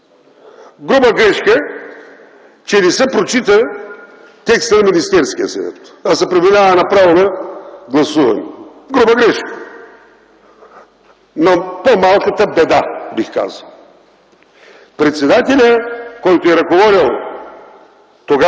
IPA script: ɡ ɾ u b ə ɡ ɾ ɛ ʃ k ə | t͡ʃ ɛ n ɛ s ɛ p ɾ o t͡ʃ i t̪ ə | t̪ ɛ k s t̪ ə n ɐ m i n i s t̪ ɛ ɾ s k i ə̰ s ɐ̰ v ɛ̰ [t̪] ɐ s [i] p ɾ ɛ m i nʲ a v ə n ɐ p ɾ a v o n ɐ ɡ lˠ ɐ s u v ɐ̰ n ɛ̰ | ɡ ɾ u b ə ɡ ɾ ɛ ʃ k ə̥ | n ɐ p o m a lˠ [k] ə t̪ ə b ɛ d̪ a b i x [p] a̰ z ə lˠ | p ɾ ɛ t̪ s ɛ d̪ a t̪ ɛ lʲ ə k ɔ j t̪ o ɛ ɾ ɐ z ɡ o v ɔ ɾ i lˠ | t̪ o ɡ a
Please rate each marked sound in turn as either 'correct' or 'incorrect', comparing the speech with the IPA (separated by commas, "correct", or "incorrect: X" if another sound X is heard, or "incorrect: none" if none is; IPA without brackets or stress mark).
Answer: correct, incorrect: ɛ, correct, incorrect: k